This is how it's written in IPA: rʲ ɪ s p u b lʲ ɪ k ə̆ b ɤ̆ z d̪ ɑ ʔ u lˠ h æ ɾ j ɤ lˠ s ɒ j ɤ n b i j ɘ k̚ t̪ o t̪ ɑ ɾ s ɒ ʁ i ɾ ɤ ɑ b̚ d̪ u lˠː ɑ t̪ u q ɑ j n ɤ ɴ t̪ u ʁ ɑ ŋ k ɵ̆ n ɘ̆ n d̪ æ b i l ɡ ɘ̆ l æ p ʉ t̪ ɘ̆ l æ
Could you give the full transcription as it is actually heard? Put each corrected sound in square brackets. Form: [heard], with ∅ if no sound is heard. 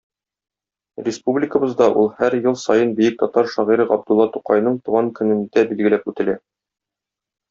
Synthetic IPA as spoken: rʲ ɪ s p u b lʲ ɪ k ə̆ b ɤ̆ z d̪ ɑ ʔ u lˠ h æ ɾ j ɤ lˠ s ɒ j ɤ n b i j ɘ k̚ t̪ [ɒ] t̪ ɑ ɾ [ʃ] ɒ ʁ i ɾ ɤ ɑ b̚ d̪ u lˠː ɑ t̪ u q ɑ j n ɤ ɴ t̪ u ʁ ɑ ŋ k ɵ̆ n ɘ̆ n d̪ æ b i l ɡ ɘ̆ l æ p ʉ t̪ ɘ̆ l æ